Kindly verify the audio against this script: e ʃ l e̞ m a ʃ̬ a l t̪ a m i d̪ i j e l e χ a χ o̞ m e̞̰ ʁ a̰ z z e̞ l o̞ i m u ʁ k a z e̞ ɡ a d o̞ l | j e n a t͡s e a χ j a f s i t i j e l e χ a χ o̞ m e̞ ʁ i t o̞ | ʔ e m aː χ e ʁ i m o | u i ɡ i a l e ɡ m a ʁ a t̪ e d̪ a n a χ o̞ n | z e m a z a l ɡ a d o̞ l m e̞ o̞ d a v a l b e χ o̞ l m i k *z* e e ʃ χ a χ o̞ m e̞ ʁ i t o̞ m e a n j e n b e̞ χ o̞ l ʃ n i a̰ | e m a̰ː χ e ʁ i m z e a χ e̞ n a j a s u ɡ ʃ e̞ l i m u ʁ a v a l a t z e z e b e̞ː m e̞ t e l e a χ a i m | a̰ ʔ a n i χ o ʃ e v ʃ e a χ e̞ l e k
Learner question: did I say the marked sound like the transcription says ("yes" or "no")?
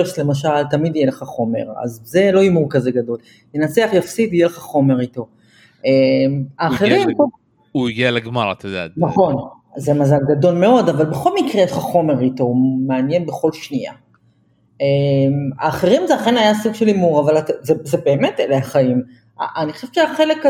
no